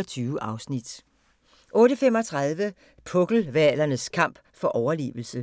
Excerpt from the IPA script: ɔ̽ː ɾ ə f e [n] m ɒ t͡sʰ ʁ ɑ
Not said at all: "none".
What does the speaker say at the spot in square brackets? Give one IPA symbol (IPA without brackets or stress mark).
none